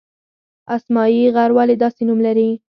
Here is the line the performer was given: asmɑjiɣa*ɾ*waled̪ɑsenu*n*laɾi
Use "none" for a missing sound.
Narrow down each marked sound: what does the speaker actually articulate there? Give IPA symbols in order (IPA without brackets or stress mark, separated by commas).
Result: ɾ, m